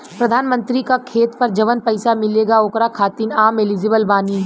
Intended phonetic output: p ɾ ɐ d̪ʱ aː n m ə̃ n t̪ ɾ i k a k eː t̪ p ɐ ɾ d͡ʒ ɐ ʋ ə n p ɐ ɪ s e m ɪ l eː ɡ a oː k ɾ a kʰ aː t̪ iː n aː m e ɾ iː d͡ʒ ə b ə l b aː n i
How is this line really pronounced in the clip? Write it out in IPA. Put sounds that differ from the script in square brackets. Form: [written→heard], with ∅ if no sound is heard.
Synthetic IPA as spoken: p ɾ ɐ d̪ʱ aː n m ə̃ n t̪ ɾ i k a [k→kʰ] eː t̪ p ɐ ɾ d͡ʒ ɐ ʋ ə n p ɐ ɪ s [e→a] m ɪ l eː ɡ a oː k ɾ a kʰ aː t̪ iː n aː m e [ɾ→l] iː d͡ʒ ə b ə l b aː n i

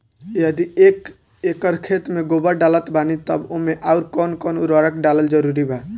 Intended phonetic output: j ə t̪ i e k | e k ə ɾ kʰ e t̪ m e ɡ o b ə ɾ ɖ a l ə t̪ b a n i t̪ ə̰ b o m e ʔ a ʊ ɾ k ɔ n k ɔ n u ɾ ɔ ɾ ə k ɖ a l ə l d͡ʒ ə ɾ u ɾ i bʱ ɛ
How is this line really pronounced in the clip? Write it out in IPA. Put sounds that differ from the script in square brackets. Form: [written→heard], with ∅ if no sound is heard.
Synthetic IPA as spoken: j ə [t̪→d̪] i e k | e k ə ɾ kʰ e t̪ m e ɡ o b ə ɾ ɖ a l ə t̪ b a n i t̪ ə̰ b o m e ʔ a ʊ ɾ k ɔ n k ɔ n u ɾ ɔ ɾ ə k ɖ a l ə l d͡ʒ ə ɾ u ɾ i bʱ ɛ

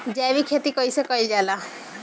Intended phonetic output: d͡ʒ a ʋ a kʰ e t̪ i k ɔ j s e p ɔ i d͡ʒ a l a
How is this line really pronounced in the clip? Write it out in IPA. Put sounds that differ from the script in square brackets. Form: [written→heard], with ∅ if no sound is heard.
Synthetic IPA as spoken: d͡ʒ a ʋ [a→i] kʰ e t̪ i k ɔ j s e [p→k] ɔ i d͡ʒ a l a

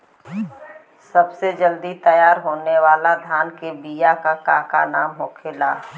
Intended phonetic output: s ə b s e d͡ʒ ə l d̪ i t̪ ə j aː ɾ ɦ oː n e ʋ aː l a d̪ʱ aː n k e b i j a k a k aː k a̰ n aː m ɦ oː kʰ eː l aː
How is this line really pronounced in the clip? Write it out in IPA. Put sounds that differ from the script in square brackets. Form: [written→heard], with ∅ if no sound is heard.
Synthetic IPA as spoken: s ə b s e d͡ʒ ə l d̪ i t̪ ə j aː ɾ ɦ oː n e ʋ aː l a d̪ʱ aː n k e b i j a k a k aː k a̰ n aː m ɦ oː kʰ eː l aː

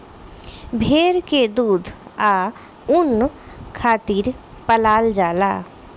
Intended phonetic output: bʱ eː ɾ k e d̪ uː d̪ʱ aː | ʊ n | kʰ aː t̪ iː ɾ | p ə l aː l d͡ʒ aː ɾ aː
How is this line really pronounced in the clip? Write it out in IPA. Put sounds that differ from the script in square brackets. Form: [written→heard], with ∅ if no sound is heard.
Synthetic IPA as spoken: bʱ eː ɾ k e d̪ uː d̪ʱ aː | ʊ n | kʰ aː t̪ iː ɾ | p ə l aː l d͡ʒ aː [ɾ→l] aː

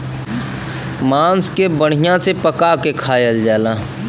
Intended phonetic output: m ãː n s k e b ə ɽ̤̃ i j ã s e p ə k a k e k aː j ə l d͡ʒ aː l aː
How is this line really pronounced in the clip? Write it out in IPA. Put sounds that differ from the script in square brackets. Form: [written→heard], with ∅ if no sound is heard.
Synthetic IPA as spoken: m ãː n s k e b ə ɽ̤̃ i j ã s e p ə k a k e [k→kʰ] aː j ə l d͡ʒ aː l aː

